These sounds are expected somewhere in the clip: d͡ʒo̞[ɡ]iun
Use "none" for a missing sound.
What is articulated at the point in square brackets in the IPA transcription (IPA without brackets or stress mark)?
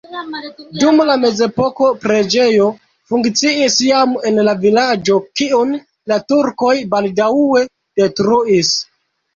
k